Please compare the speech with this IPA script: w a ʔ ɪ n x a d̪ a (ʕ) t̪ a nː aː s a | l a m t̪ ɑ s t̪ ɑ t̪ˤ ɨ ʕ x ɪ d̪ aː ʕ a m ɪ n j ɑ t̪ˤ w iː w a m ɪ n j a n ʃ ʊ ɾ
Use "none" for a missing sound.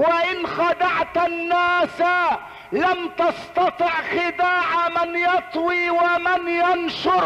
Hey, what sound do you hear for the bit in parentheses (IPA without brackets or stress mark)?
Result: ʕ